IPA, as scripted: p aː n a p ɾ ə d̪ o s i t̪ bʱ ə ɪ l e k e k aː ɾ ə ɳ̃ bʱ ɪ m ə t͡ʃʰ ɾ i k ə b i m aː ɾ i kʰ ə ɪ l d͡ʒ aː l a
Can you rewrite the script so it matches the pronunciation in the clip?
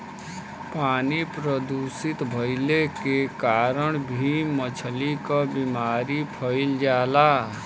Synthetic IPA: p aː n i p ɾ ə d̪ u s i t̪ bʱ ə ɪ l e k e k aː ɾ ə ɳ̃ bʱ i m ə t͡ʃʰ l i k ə b i m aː ɾ i pʰ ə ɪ l d͡ʒ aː l a